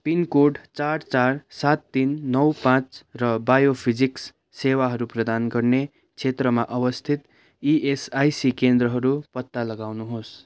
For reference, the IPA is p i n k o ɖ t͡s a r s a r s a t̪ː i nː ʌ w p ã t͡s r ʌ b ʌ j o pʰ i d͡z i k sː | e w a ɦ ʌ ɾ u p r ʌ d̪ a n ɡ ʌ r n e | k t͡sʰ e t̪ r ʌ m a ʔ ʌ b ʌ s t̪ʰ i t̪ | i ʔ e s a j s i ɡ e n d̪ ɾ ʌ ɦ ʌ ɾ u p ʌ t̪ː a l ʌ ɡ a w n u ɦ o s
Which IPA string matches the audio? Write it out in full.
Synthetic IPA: p i n k o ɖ t͡s a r t͡s a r s a t̪ː i nː ʌ w p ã t͡s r ʌ b a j o pʰ i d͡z i k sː | e w a ɦ ʌ ɾ u p r ʌ d̪ a n ɡ ʌ r n e | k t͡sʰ e t̪ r ʌ m a ʔ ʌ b ʌ s t̪ʰ i t̪ | i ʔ e s a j s i k e n d̪ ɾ ʌ ɦ ʌ ɾ u p ʌ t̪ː a l ʌ ɡ a w n u ɦ o s